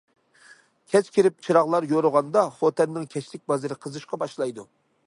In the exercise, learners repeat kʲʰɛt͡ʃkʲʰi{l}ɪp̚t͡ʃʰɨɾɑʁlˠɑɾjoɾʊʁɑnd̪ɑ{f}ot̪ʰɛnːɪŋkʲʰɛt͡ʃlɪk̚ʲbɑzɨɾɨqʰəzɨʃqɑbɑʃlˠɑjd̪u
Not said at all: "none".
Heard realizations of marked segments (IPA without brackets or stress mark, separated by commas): ɾ, χ